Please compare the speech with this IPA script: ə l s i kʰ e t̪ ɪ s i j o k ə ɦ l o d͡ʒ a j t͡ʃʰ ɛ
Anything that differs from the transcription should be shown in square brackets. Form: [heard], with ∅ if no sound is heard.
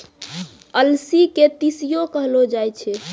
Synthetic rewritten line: ə l s i [k] e t̪ [i] s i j o k ə ɦ l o d͡ʒ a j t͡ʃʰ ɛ

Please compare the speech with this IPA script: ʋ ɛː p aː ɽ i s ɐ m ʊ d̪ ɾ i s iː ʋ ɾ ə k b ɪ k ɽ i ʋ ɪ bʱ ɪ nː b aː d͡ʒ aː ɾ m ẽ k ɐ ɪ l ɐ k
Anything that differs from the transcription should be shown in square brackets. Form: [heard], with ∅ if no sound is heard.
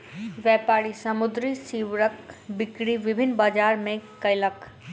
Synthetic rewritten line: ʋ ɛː p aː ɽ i s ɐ m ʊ d̪ ɾ i s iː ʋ ɾ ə k b ɪ k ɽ i ʋ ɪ bʱ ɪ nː b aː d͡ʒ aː ɾ m ẽ k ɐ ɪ l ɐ k

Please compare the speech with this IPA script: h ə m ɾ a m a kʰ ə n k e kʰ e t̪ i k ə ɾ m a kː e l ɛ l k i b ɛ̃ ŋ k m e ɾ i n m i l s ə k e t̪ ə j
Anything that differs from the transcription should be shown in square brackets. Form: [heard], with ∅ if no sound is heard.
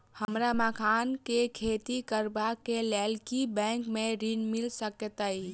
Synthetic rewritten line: h ə m ɾ a m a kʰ [a] n k e kʰ e t̪ i k ə ɾ [b] a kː e l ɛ l k i b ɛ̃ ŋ k m e ɾ i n m i l s ə k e t̪ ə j

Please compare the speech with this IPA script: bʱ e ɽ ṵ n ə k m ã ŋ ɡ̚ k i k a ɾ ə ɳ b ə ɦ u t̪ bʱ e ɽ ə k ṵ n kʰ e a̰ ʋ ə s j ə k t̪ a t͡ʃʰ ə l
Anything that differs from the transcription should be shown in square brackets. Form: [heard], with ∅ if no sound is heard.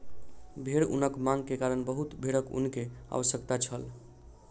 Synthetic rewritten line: bʱ e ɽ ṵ n ə k m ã ŋ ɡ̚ k [e] k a ɾ ə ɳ b ə ɦ u t̪ bʱ e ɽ ə k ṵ n [k] e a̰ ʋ ə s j ə k t̪ a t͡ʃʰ ə l

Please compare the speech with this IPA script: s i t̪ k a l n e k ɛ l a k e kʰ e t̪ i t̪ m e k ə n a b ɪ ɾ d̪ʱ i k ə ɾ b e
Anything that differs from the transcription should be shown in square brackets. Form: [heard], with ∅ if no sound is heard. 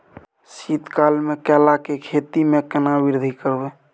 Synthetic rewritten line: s i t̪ k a l [m] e k ɛ l a k e kʰ e t̪ i [∅] m e k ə n a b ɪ ɾ d̪ʱ i k ə ɾ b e

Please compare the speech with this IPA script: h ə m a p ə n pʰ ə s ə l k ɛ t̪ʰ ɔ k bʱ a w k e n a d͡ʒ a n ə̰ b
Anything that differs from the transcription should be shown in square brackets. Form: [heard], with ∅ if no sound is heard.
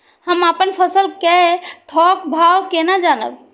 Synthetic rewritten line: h ə m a p ə n pʰ ə s ə l k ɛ t̪ʰ ɔ k bʱ a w k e n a d͡ʒ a n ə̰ b

